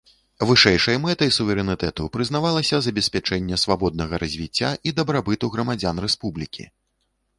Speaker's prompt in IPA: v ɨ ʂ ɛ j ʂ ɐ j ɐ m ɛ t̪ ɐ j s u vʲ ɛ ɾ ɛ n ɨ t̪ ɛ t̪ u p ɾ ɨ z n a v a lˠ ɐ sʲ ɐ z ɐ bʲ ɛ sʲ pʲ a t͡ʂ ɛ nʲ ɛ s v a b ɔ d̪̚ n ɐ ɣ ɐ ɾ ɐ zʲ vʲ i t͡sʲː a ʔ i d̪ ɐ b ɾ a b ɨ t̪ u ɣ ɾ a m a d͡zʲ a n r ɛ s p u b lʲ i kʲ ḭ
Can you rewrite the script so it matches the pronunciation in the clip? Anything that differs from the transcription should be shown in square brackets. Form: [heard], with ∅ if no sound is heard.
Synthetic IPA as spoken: v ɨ ʂ ɛ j ʂ ɐ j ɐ m ɛ t̪ ɐ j s u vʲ ɛ ɾ ɛ n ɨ t̪ ɛ t̪ u p ɾ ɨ z n a v a lˠ ɐ sʲ ɐ z ɐ bʲ ɛ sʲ pʲ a t͡ʂ ɛ [nʲː] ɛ s v a b ɔ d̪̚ n ɐ ɣ ɐ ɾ ɐ zʲ vʲ i t͡sʲː a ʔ i d̪ ɐ b ɾ a b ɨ t̪ u ɣ ɾ [ɐ] m a d͡zʲ a n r ɛ s p u b lʲ i kʲ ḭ